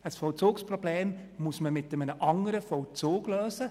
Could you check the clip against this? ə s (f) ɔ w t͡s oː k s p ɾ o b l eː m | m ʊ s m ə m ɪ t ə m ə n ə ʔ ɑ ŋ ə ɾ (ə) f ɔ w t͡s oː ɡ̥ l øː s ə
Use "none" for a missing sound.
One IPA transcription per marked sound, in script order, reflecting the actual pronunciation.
f, ə

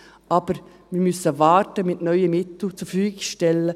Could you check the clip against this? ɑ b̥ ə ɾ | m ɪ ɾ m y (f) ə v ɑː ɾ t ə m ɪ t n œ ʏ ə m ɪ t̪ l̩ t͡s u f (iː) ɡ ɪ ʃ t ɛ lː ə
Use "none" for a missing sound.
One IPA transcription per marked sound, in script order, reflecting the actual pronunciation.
s, yː

